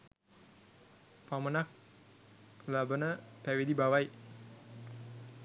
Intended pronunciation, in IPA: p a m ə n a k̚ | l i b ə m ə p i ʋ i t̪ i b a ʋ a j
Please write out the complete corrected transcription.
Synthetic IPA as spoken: p a m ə n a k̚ | l a b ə n ə p æ ʋ i d̪ i b a ʋ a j